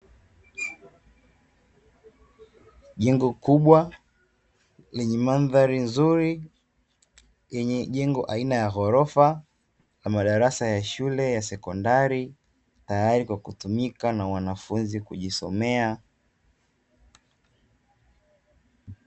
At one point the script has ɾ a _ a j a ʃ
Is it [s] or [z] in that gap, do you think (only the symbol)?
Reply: s